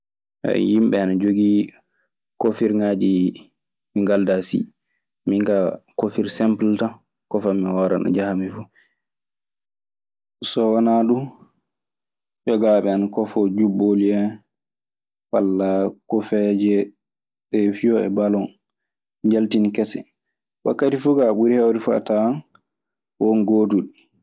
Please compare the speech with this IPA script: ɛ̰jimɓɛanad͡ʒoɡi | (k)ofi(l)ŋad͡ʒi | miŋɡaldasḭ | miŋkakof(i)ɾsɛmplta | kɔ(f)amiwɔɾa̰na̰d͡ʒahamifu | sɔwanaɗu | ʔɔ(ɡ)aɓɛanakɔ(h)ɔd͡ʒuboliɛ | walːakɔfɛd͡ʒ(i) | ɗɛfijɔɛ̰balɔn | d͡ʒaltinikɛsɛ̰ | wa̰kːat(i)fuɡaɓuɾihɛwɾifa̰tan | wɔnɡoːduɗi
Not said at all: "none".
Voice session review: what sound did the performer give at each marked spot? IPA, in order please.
k, ɾ, i, f, ɡ, f, ɛ, i

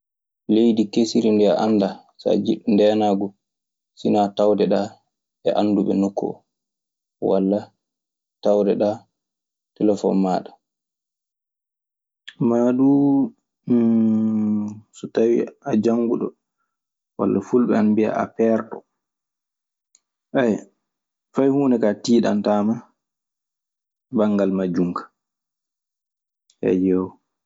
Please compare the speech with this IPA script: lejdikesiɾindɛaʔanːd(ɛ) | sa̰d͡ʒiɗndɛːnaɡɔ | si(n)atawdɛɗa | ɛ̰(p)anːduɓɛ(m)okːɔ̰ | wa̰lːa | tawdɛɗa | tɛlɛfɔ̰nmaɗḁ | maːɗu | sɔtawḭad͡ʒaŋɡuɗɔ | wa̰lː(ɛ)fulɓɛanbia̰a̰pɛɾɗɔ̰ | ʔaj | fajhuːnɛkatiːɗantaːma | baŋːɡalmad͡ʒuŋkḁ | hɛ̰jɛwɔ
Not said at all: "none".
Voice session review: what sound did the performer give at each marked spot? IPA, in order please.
a, n, ʔ, n, a

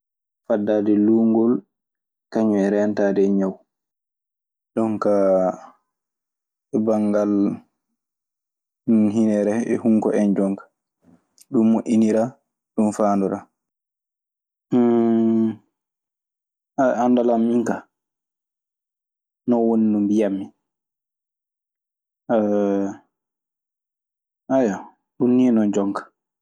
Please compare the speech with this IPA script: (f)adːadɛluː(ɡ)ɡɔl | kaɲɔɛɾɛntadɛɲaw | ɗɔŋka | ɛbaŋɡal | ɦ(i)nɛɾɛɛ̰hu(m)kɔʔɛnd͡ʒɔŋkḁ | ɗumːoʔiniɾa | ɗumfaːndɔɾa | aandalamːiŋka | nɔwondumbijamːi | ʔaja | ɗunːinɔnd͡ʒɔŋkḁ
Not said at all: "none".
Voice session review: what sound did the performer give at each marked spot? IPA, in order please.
f, ŋ, i, ŋ

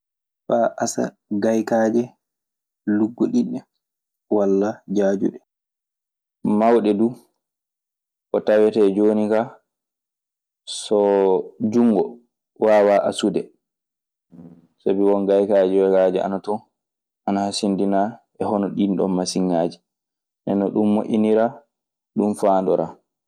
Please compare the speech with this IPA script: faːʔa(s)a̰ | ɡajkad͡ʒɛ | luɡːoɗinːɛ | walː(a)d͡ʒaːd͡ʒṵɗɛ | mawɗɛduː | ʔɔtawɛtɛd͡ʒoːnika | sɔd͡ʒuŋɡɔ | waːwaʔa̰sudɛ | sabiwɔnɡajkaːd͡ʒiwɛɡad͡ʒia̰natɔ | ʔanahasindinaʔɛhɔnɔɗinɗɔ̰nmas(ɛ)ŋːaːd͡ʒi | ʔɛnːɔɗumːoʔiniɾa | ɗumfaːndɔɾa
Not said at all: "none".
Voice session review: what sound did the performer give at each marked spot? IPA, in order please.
s, a, i

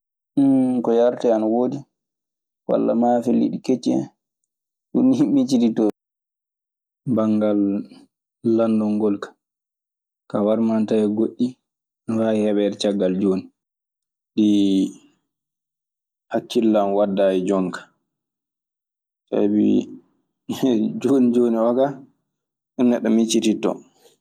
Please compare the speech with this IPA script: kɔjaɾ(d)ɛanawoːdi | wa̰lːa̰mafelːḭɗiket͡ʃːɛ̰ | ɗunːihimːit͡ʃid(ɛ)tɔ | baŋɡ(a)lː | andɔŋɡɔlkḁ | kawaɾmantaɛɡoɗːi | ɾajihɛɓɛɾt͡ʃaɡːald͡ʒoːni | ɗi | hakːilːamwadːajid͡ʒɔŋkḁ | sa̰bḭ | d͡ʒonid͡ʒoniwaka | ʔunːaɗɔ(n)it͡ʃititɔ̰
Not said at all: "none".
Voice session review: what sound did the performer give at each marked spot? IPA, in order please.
t, i, a, m

